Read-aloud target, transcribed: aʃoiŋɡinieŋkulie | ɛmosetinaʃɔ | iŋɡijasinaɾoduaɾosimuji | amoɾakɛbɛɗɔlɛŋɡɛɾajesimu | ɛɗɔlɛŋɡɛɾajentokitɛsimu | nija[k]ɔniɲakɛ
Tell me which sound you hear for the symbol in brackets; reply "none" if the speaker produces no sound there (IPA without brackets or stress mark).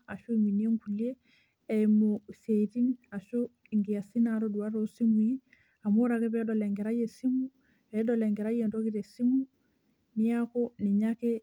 k